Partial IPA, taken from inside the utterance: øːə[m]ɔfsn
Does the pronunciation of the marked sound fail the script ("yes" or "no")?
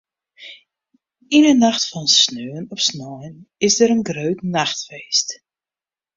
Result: yes